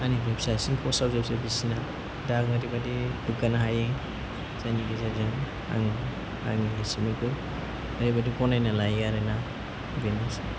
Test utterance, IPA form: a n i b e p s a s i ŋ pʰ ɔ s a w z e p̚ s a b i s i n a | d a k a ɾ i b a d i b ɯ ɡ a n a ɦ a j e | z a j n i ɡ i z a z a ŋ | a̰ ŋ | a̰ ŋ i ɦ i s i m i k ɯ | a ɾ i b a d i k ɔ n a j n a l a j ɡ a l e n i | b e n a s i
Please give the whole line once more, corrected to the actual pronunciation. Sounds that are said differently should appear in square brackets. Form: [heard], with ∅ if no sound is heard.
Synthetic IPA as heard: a n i b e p s a s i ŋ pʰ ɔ s a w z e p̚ s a b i s i n a | d a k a ɾ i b a d i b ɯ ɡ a n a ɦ a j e | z a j n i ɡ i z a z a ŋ | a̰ ŋ | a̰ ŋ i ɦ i s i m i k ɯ | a ɾ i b a d i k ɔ n a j n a l a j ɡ a [ɾ] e n [a] | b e n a s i